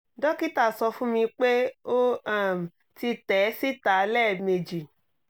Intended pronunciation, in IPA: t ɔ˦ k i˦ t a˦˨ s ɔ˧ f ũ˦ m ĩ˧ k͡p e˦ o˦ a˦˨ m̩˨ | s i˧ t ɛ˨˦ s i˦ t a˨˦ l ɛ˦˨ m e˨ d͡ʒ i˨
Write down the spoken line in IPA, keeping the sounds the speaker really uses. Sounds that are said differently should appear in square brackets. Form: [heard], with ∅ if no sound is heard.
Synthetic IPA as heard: [d] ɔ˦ k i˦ t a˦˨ s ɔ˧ f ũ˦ m ĩ˧ k͡p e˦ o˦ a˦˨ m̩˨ | [t] i˧ t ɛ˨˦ s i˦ t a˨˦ l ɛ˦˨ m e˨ d͡ʒ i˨